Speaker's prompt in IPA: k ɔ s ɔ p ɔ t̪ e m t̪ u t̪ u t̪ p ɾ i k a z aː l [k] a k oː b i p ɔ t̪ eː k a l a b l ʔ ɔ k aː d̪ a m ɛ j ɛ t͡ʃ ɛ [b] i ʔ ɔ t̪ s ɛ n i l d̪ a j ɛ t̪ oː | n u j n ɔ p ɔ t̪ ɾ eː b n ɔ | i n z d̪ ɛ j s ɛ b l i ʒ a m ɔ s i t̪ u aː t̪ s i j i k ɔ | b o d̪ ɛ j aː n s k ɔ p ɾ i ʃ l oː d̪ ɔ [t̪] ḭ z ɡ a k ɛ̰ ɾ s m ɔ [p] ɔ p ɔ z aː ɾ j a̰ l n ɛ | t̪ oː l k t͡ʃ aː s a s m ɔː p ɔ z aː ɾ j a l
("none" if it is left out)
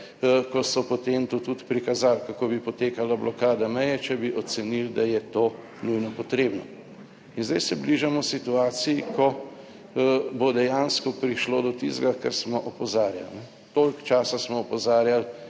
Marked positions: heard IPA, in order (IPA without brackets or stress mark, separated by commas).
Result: k, b, t̪, ʔ